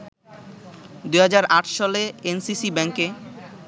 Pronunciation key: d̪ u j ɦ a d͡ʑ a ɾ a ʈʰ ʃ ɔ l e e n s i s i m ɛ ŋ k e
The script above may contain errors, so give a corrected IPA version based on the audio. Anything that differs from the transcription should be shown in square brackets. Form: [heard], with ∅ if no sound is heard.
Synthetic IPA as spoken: d̪ u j ɦ a d͡ʑ a ɾ a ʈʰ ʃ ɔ l e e n s i s i [b] ɛ ŋ k e